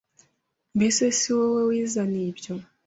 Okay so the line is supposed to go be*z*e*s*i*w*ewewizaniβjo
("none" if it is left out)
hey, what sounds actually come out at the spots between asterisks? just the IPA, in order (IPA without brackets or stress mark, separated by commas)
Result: s, s, w